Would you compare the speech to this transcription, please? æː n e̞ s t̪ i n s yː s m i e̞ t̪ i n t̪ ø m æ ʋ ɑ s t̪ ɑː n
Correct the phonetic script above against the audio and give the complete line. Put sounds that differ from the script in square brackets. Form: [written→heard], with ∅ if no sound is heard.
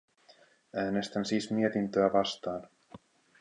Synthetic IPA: æː n e̞ s t̪ [i→æ] n s [yː→iː] s m i e̞ t̪ i n t̪ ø [m→∅] æ ʋ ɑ s t̪ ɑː n